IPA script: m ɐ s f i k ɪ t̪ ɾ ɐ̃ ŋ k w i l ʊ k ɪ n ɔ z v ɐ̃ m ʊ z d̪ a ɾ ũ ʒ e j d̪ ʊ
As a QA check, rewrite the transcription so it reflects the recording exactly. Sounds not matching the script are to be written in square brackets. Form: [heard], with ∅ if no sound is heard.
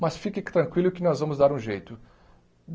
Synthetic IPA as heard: m ɐ s f i k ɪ t̪ ɾ ɐ̃ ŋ k w i l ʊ k ɪ n ɔ z v ɐ̃ m ʊ z d̪ a ɾ ũ ʒ e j [t̪] ʊ